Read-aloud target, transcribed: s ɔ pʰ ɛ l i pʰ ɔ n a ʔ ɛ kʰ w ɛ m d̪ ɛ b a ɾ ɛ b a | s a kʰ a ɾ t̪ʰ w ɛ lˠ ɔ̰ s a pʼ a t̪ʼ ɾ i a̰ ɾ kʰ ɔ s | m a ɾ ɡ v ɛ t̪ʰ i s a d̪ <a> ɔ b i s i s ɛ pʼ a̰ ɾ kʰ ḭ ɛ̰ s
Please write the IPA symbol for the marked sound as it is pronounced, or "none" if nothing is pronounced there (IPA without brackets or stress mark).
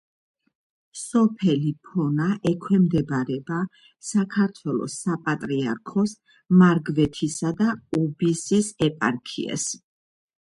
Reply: a